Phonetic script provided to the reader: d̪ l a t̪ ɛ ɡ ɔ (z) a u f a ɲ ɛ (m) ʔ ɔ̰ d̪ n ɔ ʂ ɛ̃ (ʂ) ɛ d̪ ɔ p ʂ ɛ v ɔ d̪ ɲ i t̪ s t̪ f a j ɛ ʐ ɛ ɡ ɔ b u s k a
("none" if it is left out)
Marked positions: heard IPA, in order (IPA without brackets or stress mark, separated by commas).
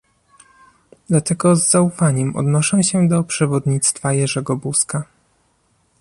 zː, m, ɕ